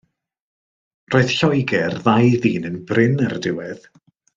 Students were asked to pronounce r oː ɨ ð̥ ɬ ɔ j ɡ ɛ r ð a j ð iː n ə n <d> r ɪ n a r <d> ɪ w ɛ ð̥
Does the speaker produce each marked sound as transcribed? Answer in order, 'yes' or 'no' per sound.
no, yes

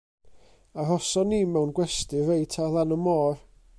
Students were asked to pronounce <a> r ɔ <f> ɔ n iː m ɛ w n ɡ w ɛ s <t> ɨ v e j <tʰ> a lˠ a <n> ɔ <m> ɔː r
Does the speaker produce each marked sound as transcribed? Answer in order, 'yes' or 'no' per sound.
yes, no, yes, yes, yes, yes

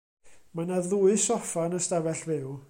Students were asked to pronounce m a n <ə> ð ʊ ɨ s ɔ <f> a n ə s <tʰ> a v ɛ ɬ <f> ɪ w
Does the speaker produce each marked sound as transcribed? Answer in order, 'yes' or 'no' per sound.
no, yes, no, no

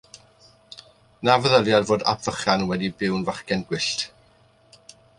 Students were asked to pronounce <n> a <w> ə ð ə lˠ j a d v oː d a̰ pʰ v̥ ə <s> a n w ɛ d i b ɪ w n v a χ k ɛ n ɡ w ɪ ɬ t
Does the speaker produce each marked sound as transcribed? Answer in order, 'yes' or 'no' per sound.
yes, no, no

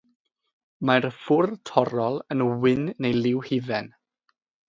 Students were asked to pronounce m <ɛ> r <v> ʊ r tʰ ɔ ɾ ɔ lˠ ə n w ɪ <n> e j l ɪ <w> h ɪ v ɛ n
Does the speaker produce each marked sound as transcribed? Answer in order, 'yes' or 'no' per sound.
no, no, no, yes

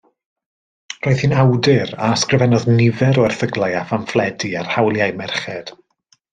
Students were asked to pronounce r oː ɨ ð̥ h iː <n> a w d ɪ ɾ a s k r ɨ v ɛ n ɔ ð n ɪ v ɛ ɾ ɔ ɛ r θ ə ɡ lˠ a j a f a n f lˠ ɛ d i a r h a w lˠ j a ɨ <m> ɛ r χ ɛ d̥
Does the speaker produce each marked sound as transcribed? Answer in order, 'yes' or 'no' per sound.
yes, yes

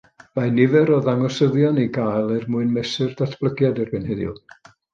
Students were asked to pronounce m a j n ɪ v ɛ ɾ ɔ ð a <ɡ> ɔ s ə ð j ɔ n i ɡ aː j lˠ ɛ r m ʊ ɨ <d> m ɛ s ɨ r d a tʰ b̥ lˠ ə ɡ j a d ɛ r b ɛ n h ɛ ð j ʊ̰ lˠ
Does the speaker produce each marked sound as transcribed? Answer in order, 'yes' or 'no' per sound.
no, no

